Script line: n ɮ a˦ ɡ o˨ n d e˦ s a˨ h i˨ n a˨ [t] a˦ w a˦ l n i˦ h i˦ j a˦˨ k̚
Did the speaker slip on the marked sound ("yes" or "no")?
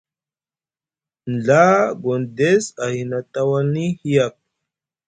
no